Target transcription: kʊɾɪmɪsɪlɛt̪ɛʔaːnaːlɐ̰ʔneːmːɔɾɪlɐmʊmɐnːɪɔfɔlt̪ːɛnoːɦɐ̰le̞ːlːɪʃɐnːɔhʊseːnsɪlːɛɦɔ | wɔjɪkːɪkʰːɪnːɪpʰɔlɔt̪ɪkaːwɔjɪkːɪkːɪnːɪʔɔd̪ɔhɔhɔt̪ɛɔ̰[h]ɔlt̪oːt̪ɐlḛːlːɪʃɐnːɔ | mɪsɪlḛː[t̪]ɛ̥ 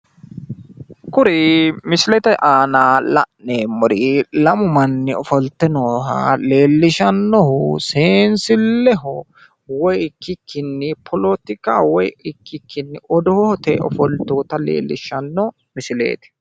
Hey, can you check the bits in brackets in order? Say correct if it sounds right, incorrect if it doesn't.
incorrect: f, correct

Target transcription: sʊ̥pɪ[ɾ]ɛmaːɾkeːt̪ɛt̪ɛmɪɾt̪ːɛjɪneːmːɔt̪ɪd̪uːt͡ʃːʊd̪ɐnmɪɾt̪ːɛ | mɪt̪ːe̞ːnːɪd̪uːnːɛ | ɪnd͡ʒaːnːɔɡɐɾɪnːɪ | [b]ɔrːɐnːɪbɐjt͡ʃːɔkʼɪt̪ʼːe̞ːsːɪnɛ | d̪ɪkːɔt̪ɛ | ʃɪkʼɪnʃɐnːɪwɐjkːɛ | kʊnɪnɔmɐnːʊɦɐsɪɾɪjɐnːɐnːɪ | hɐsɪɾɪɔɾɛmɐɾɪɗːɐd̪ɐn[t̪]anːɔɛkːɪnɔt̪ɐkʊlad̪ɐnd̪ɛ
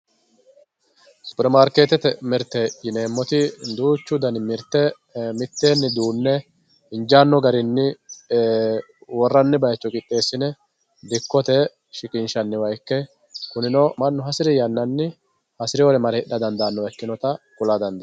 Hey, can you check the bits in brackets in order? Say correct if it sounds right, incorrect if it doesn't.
correct, incorrect: w, incorrect: d̪

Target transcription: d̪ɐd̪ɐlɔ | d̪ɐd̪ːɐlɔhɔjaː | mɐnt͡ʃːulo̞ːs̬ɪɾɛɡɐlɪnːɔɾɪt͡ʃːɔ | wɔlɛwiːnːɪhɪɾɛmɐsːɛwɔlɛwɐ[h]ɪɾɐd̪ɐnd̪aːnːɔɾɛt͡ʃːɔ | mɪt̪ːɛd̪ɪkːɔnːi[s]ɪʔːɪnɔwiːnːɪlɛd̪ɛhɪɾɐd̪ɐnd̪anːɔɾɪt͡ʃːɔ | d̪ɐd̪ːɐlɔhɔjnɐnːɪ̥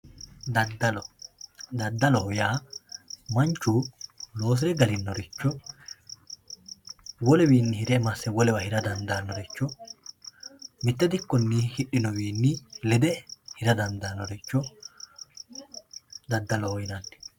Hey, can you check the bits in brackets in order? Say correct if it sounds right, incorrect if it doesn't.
correct, incorrect: h

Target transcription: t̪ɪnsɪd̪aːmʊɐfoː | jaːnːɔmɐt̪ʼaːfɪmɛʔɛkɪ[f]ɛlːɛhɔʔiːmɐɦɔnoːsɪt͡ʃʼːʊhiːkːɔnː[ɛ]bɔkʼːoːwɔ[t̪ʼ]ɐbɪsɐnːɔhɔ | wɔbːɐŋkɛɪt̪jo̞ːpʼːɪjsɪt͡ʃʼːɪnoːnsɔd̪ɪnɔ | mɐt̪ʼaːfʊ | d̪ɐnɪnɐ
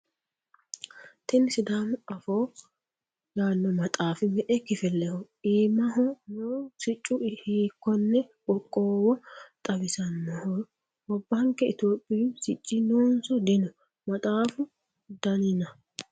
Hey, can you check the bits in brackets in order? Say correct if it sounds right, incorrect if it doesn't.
correct, correct, correct

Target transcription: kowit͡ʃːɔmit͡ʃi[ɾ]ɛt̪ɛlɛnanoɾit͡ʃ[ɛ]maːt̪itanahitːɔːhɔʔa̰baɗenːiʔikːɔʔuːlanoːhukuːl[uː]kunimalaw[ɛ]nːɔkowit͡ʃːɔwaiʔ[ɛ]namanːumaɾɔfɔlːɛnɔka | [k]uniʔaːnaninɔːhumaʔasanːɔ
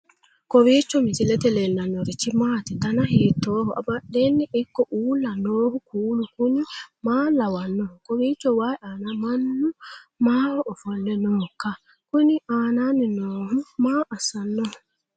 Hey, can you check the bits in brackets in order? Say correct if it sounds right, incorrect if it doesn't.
incorrect: l, incorrect: i, incorrect: u, incorrect: a, incorrect: a, correct

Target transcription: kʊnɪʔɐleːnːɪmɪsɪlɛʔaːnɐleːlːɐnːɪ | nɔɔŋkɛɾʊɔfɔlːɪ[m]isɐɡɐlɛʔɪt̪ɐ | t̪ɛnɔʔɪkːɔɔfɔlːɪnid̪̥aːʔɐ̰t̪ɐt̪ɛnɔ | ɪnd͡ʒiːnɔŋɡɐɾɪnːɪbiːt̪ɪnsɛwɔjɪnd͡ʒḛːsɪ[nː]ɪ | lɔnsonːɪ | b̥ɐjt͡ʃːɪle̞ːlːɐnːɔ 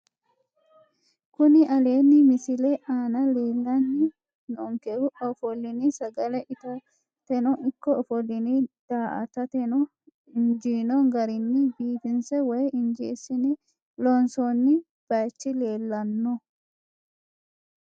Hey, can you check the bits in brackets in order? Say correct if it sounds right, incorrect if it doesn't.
incorrect: n, incorrect: n

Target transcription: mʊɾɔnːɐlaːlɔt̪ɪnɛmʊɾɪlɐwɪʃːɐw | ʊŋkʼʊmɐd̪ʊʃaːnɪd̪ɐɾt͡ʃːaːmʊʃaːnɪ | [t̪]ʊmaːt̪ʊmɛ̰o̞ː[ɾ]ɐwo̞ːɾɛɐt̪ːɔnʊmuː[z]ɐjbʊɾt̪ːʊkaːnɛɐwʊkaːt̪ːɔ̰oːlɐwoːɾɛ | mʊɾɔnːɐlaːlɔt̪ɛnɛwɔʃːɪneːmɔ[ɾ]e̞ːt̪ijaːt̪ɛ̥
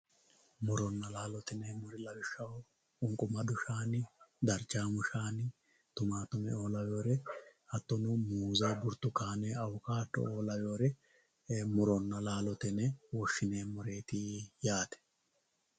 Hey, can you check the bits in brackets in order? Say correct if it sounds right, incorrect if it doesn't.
correct, incorrect: l, correct, correct

